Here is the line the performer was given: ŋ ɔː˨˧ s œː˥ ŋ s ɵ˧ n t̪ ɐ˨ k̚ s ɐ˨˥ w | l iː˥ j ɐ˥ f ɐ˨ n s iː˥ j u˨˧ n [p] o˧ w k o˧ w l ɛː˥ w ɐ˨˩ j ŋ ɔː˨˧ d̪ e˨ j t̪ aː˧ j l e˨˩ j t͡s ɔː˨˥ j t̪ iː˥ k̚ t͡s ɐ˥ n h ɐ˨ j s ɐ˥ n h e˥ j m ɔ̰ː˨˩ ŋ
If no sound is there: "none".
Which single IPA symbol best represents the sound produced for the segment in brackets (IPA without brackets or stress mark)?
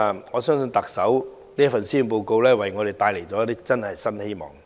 p